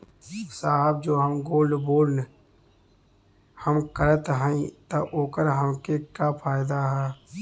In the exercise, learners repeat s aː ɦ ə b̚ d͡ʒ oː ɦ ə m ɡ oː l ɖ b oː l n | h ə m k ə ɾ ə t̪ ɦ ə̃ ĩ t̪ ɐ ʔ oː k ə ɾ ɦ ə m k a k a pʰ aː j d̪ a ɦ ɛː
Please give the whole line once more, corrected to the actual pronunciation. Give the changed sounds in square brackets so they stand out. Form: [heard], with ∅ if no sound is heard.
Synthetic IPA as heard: s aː ɦ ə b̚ d͡ʒ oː ɦ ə m ɡ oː l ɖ b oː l n | h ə m k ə ɾ ə t̪ ɦ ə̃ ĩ t̪ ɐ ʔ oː k ə ɾ ɦ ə m k [e] k a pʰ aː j d̪ a ɦ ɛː